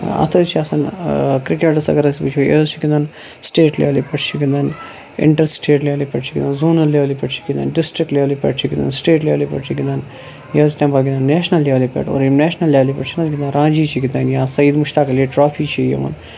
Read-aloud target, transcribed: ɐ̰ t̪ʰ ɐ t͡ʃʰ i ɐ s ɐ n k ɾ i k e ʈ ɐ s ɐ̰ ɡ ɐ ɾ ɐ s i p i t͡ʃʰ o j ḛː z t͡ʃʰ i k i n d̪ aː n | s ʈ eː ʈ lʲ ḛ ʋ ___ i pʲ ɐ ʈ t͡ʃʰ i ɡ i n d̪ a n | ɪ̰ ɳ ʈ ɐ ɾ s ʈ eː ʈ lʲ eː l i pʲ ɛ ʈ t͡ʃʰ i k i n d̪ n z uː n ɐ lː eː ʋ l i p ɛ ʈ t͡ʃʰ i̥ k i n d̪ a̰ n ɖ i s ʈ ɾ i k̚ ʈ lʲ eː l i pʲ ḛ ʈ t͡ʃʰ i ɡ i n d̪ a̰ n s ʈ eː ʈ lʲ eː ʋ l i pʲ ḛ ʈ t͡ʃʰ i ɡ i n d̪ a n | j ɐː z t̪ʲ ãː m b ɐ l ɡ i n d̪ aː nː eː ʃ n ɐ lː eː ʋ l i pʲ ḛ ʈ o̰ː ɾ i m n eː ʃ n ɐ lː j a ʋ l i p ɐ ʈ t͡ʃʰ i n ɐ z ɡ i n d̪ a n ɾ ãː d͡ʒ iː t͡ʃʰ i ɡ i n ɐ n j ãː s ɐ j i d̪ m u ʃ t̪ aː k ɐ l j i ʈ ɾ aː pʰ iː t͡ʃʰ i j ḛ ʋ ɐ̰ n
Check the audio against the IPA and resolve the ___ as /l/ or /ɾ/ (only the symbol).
l